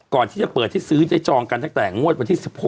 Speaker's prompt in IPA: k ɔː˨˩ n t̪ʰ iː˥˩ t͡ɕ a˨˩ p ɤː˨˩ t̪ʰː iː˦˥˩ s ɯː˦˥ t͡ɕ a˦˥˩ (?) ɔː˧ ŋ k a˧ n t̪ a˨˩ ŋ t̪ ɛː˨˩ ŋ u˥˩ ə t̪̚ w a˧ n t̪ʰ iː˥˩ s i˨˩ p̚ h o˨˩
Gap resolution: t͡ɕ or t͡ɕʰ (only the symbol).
t͡ɕ